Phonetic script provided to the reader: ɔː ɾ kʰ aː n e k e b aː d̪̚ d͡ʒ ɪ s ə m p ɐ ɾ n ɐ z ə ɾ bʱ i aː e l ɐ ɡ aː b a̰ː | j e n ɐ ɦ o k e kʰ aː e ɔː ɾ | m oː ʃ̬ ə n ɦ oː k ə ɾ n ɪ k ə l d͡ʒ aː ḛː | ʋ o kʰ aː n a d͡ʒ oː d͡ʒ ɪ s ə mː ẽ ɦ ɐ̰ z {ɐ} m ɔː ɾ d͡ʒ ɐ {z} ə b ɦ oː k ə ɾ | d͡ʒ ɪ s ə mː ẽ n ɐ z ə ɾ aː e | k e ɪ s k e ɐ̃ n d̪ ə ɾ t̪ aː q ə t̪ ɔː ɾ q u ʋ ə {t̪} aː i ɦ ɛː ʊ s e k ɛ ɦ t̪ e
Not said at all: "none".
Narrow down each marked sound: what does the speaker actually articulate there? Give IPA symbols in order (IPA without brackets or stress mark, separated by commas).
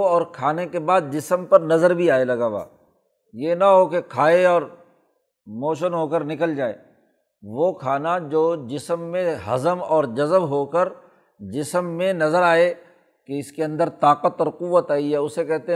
ə, z, t̪